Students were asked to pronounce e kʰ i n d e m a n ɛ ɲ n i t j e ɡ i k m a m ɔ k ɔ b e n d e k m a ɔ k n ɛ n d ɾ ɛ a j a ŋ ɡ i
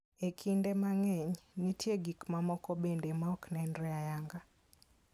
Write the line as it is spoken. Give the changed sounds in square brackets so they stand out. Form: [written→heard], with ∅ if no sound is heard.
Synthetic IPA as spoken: e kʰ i n d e m a [n→ŋ] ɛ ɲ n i t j e ɡ i k m a m ɔ k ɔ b e n d e [k→∅] m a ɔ k n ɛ n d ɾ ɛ a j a ŋ ɡ [i→a]